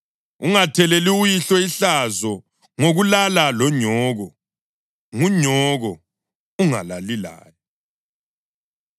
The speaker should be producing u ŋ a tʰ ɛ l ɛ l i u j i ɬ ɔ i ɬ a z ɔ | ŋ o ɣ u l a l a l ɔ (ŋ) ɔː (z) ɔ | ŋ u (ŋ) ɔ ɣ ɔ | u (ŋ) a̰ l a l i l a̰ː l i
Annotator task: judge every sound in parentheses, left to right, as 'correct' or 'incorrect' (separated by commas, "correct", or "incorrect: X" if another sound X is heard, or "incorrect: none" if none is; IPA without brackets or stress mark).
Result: incorrect: ɲ, incorrect: ɣ, incorrect: ɲ, correct